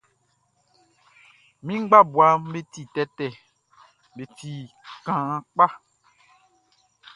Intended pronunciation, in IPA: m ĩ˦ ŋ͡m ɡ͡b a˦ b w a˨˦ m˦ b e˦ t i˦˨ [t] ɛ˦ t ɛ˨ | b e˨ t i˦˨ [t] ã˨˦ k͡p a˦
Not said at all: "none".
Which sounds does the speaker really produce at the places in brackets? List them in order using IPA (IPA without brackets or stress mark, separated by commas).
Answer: t, k